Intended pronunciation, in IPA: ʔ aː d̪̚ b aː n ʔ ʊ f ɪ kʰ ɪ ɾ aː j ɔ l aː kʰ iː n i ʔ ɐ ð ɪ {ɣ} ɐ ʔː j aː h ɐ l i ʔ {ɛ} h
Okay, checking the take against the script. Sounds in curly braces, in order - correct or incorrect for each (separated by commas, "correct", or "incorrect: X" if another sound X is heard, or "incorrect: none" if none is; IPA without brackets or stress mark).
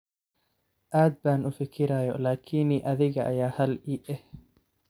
correct, correct